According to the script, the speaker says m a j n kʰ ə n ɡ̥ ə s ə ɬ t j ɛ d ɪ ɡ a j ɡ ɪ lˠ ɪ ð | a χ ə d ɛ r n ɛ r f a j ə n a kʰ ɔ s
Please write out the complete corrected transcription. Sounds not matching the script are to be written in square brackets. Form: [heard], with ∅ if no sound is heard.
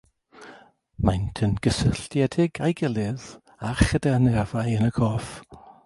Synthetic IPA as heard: m a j n [tʰ] ə n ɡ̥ ə s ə ɬ t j ɛ d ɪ ɡ a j ɡ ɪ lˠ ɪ ð | a χ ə d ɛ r n ɛ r [v] a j ə n [ə] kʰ ɔ [f]

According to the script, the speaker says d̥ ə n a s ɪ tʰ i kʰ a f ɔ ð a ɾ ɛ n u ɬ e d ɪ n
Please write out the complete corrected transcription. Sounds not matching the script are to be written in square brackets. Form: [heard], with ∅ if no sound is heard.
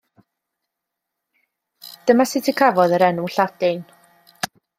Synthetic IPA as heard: d̥ ə [m] a s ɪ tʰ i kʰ a [v] ɔ ð [ə] ɾ ɛ n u ɬ [a] d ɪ n

